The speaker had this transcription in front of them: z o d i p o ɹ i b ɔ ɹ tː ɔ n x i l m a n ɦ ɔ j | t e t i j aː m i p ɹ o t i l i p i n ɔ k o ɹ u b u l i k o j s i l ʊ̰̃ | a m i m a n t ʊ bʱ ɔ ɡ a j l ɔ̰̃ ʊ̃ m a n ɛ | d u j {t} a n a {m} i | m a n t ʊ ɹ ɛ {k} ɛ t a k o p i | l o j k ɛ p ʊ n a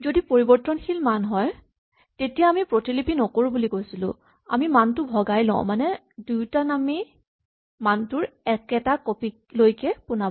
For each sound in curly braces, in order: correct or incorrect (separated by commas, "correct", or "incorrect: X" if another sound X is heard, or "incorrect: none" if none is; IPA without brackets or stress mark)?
correct, correct, correct